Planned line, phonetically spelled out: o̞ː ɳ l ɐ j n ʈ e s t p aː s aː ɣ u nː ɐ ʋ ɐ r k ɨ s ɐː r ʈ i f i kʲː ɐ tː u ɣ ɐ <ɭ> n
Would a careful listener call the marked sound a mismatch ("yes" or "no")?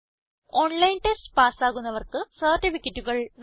no